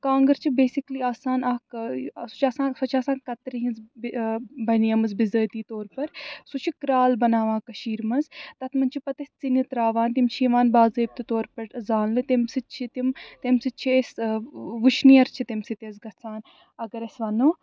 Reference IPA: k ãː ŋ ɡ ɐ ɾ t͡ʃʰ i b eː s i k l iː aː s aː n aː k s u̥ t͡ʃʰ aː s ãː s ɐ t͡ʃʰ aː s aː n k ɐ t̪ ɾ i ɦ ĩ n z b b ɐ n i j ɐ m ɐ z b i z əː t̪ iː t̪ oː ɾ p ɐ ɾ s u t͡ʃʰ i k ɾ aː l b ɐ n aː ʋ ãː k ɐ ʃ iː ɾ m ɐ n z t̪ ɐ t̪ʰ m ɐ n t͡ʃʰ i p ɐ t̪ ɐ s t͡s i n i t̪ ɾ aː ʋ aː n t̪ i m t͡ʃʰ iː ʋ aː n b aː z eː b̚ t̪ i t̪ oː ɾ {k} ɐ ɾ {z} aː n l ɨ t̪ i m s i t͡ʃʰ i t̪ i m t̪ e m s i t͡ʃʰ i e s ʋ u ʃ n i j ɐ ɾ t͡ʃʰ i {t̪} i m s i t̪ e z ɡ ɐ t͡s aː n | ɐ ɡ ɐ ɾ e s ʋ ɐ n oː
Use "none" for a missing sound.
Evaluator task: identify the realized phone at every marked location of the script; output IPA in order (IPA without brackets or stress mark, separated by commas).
p, z, t̪